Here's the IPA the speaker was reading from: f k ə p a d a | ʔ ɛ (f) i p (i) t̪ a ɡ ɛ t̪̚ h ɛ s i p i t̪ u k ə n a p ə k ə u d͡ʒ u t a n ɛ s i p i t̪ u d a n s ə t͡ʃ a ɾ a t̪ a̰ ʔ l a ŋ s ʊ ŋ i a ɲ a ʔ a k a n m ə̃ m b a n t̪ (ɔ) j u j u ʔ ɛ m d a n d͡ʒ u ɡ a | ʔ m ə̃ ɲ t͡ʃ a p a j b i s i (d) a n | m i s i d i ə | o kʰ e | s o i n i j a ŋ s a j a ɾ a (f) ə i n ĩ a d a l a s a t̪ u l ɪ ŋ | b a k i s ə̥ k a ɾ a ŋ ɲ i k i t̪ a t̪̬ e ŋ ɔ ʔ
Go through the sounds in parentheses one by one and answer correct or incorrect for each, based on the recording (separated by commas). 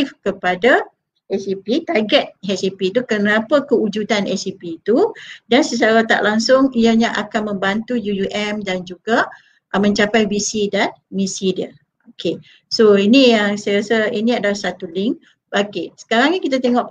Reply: incorrect, correct, incorrect, correct, incorrect